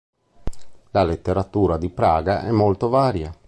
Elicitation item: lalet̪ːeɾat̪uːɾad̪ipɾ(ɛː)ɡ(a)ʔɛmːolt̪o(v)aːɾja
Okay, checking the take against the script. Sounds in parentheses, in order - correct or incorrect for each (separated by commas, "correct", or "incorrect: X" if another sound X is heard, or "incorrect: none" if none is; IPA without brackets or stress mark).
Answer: incorrect: aː, correct, correct